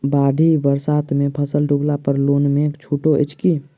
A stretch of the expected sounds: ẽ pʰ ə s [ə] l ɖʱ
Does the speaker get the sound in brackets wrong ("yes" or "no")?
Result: no